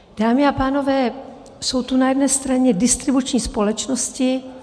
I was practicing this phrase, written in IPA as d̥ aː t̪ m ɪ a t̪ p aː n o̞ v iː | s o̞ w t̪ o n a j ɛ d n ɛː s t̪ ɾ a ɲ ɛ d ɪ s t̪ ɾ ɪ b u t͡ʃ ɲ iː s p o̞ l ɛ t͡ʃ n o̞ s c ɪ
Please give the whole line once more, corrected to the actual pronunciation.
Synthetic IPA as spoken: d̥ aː m ɪ a p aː n o̞ v ɛː | s o̞ w t̪ u n a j ɛ d n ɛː s t̪ ɾ a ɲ ɛ d ɪ s t̪ ɾ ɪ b u t͡ʃ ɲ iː s p o̞ l ɛ t͡ʃ n o̞ s c ɪ